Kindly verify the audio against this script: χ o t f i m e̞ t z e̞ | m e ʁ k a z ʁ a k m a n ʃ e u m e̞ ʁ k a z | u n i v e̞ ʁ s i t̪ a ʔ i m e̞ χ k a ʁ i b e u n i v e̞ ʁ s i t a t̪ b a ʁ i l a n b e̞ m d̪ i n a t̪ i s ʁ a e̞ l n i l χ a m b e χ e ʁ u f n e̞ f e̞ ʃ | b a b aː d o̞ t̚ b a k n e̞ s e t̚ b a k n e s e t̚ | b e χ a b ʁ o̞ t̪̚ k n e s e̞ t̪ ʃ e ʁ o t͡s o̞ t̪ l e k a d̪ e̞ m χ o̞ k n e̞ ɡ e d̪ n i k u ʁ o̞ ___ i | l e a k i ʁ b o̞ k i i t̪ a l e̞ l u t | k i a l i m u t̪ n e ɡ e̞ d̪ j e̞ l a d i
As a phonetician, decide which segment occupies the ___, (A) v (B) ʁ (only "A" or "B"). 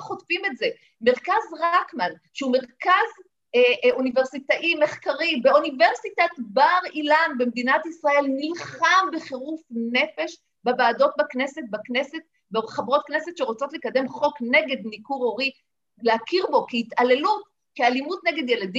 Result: B